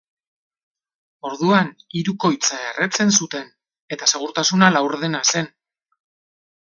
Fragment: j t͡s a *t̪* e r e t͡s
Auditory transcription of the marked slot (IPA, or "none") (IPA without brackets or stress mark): none